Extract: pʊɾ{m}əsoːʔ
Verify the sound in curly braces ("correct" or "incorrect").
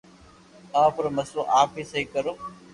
correct